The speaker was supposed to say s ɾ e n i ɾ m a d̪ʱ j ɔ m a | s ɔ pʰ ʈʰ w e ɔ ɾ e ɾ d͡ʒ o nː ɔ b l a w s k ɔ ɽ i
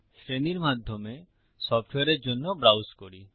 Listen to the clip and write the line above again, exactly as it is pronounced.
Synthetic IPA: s ɾ e n i ɾ m a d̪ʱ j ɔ m e | s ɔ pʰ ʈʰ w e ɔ ɾ e ɾ d͡ʒ o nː ɔ b ɾ a w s k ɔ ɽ i